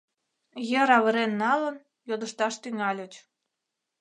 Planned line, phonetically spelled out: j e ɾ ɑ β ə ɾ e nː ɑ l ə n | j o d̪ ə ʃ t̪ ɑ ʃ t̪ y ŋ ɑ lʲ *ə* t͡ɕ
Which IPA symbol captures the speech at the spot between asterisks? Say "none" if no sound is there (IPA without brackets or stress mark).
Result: ə